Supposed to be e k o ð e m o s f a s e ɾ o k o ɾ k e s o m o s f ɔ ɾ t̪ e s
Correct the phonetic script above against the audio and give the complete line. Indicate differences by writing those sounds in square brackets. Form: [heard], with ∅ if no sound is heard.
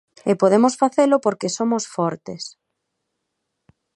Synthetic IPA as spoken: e [p] o ð e m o s f a [θ] e [l] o [p] o ɾ k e s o m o s f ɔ ɾ t̪ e s

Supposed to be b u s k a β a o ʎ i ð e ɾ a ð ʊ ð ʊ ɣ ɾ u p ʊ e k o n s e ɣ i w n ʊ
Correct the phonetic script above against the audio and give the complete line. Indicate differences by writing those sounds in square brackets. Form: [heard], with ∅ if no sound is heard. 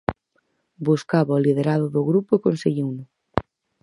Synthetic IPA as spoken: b u s k a β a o [l] i ð e ɾ a ð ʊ ð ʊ ɣ ɾ u p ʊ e k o n s e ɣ i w n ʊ

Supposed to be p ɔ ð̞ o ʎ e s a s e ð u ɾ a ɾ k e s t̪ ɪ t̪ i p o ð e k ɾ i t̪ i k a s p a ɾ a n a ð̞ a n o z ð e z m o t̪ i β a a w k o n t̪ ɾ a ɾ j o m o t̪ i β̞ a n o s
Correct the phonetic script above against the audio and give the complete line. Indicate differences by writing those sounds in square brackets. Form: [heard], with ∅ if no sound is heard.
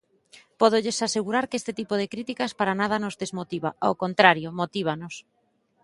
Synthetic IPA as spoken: p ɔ ð̞ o ʎ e s a s e [ɣ] u ɾ a ɾ k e s t̪ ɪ t̪ i p o ð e k ɾ i t̪ i k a s p a ɾ a n a ð̞ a n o z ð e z m o t̪ i β a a w k o n t̪ ɾ a ɾ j o m o t̪ i β̞ a n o s

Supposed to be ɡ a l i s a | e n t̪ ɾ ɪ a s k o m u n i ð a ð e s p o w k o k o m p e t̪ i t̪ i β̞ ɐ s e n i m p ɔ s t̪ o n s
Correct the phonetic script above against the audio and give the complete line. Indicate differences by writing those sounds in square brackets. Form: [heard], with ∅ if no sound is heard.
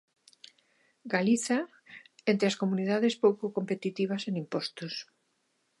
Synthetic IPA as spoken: ɡ a l i [θ] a | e n t̪ ɾ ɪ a s k o m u n i ð a ð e s p o w k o k o m p e t̪ i t̪ i β̞ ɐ s e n i m p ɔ s t̪ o [∅] s

